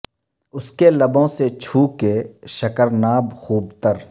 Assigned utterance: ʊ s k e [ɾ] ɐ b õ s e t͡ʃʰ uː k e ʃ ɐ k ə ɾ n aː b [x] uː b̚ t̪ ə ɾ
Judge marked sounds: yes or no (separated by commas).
no, yes